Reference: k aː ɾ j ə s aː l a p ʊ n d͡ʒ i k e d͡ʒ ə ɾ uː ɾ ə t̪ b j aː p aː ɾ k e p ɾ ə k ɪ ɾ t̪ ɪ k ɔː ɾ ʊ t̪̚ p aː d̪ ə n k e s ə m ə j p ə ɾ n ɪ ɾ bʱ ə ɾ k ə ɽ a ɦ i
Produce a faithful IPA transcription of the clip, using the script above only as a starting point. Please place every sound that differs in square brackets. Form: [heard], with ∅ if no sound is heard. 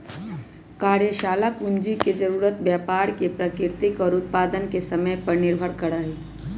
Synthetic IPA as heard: k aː ɾ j ə [ʃ] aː l a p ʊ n d͡ʒ i k e d͡ʒ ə ɾ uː ɾ ə t̪ b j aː p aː ɾ k e p ɾ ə k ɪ ɾ t̪ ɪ k ɔː ɾ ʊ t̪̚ p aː d̪ ə n k e s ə m ə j p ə ɾ n ɪ ɾ bʱ ə ɾ k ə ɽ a ɦ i